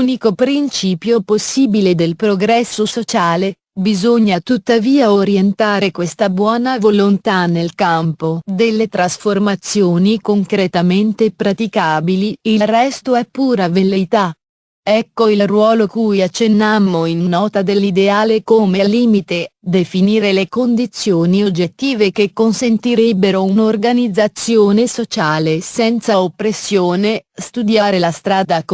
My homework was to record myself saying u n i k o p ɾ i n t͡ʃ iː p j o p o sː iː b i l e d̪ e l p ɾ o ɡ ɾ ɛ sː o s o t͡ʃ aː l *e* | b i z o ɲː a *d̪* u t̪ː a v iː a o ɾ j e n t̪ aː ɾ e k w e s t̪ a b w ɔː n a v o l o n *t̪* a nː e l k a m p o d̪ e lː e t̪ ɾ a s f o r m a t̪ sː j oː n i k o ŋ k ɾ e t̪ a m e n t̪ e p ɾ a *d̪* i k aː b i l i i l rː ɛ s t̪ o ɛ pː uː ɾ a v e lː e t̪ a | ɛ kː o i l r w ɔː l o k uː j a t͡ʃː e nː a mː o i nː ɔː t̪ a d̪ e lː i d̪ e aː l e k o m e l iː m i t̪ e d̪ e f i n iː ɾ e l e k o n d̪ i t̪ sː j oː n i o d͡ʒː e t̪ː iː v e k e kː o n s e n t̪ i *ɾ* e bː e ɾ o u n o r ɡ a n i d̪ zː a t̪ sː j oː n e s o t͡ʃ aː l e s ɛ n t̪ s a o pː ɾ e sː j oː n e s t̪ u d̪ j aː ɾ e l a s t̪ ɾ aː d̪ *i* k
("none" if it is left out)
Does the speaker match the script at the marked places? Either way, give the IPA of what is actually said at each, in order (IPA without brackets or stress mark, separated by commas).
e, t̪, t̪, t̪, ɾ, a